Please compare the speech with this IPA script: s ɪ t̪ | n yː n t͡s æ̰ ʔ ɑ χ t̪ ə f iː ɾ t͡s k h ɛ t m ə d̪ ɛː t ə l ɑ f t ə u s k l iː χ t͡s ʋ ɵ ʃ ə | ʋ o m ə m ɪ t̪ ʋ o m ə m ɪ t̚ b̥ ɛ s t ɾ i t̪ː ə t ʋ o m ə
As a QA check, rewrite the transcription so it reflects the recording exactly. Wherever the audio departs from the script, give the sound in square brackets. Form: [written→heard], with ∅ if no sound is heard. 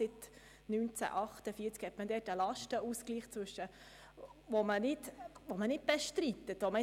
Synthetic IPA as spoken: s ɪ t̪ | n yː n t͡s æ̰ ʔ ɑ χ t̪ ə f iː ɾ t͡s k h ɛ t m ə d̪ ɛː t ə l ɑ [f→ʃ] t ə u s k l iː χ t͡s ʋ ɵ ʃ ə | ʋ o m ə [m→n] ɪ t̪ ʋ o m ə [m→n] ɪ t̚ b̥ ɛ [s→ʃ] t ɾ i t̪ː ə t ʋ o m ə